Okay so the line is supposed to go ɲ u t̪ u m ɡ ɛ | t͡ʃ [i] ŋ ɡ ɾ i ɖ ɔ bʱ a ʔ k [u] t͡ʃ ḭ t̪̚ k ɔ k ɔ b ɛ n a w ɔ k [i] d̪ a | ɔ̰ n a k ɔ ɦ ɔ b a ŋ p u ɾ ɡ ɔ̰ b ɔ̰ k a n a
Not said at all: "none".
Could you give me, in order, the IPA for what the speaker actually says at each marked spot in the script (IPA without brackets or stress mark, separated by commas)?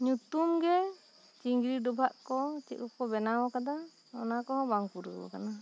i, ɔ, a